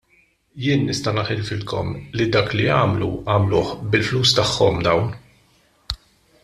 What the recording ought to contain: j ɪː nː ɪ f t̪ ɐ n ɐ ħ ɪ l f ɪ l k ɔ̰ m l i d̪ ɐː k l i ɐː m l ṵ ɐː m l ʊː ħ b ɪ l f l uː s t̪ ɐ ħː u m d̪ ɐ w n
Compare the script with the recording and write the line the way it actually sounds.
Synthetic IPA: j ɪː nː ɪ s t̪ ɐ n ɐ ħ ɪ l f ɪ l k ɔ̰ m l i d̪ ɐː k l i ɐː m l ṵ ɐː m l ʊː ħ b ɪ l f l uː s t̪ ɐ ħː ɔ m d̪ ɐ w n

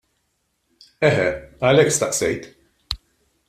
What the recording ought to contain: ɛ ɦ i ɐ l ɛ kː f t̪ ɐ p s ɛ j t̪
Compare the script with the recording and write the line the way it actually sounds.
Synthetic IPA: ɛ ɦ ɛ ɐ l ɛ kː s t̪ ɐ ʔ s ɛ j t̪

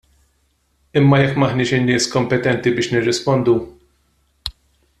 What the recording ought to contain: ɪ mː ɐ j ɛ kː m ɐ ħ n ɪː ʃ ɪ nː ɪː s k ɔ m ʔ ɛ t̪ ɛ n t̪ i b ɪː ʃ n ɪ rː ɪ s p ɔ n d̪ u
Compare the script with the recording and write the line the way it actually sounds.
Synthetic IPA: ɪ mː ɐ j ɛ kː m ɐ ħ n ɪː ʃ ɪ nː ɪː s k ɔ m p ɛ t̪ ɛ n t̪ i b ɪː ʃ n ɪ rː ɪ s p ɔ n d̪ u

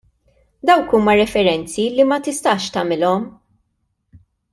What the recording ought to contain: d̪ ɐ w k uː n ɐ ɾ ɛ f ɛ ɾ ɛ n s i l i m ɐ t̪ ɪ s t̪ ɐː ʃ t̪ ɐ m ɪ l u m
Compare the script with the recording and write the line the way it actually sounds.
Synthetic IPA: d̪ ɐ w k uː m ɐ ɾ ɛ f ɛ ɾ ɛ n t͡s i l i m ɐ t̪ ɪ s t̪ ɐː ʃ t̪ ɐ m ɪ l ɔ m

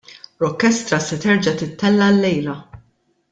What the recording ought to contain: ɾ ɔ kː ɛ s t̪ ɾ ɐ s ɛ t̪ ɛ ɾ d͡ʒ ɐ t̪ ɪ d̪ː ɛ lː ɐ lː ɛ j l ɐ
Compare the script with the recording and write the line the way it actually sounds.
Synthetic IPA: ɾ ɔ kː ɛ s t̪ ɾ ɐ s ɛ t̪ ɛ ɾ d͡ʒ ɐ t̪ ɪ t̪ː ɛ lː ɐ lː ɛ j l ɐ

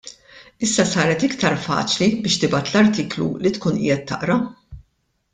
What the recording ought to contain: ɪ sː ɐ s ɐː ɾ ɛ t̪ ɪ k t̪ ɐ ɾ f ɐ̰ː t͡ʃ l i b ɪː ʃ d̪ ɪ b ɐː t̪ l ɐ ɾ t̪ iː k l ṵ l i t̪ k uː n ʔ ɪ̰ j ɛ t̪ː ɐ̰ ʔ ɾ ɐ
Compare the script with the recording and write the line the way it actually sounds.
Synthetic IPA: ɪ sː ɐ s ɐː ɾ ɛ t̪ ɪ k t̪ ɐ ɾ f ɐ̰ː t͡ʃ l i b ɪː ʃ t̪ ɪ b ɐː t̪ l ɐ ɾ t̪ iː k l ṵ l i t̪ k uː n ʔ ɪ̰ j ɛ t̪ː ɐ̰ ʔ ɾ ɐ

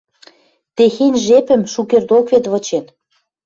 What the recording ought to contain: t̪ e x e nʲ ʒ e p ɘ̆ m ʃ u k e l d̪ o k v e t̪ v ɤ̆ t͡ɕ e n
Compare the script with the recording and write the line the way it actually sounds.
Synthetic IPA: t̪ e x e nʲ ʒ e p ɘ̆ m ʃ u k e r d̪ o k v e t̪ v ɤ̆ t͡ɕ e n

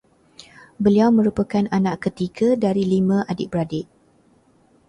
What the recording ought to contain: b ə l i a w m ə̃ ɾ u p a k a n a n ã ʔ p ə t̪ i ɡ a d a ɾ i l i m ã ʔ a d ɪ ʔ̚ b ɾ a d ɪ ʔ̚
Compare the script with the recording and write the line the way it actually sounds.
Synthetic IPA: b ə l i a w m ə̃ ɾ u p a k a n a n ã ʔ k ə t̪ i ɡ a d a ɾ i l i m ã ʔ a d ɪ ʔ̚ b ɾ a d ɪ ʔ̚

